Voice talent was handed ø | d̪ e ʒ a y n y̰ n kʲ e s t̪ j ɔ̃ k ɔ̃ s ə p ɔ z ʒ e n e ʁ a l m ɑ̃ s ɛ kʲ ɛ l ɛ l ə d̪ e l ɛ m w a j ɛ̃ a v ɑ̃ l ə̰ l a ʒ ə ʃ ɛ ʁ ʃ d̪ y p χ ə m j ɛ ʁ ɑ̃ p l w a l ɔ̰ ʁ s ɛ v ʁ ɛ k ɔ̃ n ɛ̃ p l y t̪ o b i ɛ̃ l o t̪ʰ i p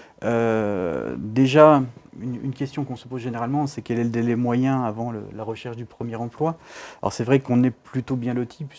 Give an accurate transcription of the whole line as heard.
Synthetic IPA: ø | d̪ e ʒ a y n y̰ n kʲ ɛ s t̪ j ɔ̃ k ɔ̃ s ə p o z ʒ e n e ʁ a l m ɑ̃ s ɛ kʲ ɛ l ɛ l ə d̪ e l ɛ m w a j ɛ̃ a v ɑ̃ l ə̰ l a ʁ ə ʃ ɛ ʁ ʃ d̪ y p χ ə m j ɛ ʁ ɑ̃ p l w a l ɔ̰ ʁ s ɛ v ʁ ɛ k ɔ̃ n ɛ p l y t̪ o b j ɛ̃ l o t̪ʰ i p